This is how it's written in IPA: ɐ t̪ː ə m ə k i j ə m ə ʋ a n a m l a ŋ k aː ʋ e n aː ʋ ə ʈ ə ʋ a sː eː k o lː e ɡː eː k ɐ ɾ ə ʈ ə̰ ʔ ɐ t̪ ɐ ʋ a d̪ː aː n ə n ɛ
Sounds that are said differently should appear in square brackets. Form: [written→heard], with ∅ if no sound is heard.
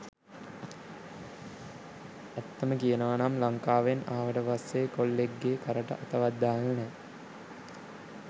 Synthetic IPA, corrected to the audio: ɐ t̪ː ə m ə k i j ə [m→n] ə ʋ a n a m l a ŋ k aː ʋ e n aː ʋ ə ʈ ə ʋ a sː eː k o lː e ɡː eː k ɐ ɾ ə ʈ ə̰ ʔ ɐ t̪ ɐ ʋ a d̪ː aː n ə n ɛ